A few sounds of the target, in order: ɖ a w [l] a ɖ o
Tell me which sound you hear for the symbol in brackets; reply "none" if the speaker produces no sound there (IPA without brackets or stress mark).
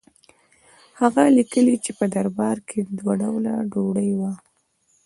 l